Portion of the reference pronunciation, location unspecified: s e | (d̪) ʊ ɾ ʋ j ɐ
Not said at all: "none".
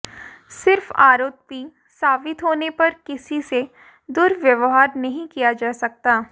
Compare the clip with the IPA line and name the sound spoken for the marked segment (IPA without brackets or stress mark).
d̪